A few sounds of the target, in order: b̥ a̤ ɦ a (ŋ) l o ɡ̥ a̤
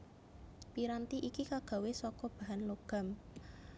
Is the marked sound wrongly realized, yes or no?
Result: yes